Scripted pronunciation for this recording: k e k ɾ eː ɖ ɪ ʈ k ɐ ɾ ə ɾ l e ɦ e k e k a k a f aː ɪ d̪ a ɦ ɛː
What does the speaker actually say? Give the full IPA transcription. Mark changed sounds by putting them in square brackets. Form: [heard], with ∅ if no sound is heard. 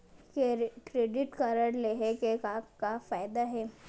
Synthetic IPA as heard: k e k ɾ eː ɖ ɪ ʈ k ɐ ɾ ə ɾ l e ɦ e k e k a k a f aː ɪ d̪ a ɦ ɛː

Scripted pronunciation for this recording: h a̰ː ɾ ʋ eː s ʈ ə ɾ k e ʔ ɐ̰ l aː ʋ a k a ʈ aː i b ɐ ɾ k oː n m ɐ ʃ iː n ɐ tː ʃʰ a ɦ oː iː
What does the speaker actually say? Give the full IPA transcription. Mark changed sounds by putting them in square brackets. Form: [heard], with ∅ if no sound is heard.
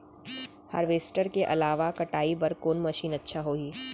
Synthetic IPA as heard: h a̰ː ɾ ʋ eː s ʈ ə ɾ k e ʔ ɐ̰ l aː ʋ a k [ɐ] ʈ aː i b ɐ ɾ k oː n m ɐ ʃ iː n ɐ tː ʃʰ a ɦ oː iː

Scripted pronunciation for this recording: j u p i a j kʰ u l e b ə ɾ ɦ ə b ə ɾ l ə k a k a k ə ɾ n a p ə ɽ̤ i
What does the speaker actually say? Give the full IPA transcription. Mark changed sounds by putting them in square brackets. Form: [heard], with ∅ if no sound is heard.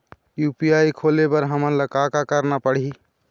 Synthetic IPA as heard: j u p i a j kʰ [o] l e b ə ɾ ɦ ə [m] ə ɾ l ə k a k a k ə ɾ n a p ə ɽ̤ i

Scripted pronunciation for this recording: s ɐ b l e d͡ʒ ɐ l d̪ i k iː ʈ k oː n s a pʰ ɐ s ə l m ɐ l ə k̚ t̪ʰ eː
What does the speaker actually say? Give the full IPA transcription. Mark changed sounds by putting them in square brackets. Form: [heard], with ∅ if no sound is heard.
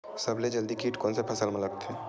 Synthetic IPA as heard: s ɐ b l e d͡ʒ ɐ l d̪ i k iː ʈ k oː n s [e] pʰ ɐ s ə l m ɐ l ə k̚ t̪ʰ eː

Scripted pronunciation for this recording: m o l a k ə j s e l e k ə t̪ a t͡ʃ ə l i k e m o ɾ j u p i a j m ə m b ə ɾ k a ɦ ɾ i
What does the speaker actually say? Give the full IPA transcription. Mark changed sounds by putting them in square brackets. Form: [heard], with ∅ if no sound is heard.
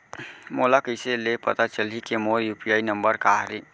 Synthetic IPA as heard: m o l a k ə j s e l e [p] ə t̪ a t͡ʃ ə l i k e m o ɾ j u p i a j [n] ə m b ə ɾ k a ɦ ɾ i

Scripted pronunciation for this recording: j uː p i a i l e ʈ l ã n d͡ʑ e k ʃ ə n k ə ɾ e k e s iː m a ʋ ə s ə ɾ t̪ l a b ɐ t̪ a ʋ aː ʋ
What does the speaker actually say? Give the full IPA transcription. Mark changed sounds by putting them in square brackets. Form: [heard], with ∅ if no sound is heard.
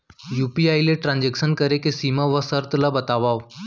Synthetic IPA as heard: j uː p i a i l e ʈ [ɾ] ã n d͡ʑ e k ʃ ə n k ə ɾ e k e s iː m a ʋ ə s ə ɾ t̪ l a b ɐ t̪ a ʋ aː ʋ

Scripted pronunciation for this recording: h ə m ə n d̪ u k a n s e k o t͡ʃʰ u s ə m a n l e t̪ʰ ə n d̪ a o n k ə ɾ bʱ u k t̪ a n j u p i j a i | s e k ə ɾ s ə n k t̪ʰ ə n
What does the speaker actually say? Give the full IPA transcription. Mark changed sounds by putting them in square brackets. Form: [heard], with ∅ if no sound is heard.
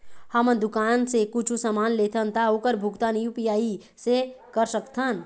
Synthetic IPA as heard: h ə m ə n d̪ u k a n s e k [u] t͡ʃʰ u s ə m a n l e t̪ʰ ə n [t̪] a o [∅] k ə ɾ bʱ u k t̪ a n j u p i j a i | s e k ə ɾ s ə [∅] k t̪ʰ ə n

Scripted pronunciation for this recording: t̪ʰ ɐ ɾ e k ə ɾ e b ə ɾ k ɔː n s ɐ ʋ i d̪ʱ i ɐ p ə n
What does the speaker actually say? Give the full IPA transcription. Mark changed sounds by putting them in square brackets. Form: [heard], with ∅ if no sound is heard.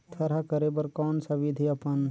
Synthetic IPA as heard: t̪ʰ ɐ ɾ [a] k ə ɾ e b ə ɾ k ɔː n s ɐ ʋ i d̪ʱ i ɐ p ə n

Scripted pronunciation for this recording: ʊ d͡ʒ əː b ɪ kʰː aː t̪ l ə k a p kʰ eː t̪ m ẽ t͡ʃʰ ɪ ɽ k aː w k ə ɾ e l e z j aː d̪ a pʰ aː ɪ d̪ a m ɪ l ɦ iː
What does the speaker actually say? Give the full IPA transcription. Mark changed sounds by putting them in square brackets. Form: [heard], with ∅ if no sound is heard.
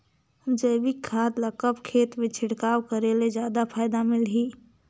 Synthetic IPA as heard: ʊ d͡ʒ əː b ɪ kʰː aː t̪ l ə k [ə] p kʰ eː t̪ m ẽ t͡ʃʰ ɪ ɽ k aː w k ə ɾ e l e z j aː d̪ a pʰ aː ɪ d̪ a m ɪ l ɦ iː

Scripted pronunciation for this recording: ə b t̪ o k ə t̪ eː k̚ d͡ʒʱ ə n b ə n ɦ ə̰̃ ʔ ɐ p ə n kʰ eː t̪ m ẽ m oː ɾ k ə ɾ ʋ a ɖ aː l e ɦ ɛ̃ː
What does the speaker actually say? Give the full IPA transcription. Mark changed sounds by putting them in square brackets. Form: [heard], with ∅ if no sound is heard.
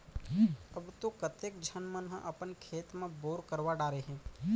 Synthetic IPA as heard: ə b t̪ o k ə t̪ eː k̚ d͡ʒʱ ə n [m] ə n ɦ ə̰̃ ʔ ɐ p ə n kʰ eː t̪ m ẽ [b] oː ɾ k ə ɾ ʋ a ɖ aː [ɾ] e ɦ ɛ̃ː

